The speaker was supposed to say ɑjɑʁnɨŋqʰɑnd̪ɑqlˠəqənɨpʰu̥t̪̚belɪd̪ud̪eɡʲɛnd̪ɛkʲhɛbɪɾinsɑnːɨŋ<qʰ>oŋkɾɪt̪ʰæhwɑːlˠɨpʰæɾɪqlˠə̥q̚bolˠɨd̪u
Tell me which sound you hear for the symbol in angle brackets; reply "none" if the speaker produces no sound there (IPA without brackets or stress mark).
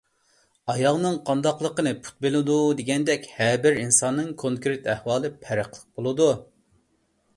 kʰ